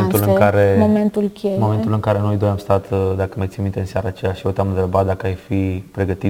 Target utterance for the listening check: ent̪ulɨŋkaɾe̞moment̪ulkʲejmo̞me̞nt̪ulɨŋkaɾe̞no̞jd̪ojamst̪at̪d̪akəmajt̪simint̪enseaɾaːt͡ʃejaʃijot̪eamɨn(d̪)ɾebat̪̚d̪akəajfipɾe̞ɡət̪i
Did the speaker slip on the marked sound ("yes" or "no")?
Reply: yes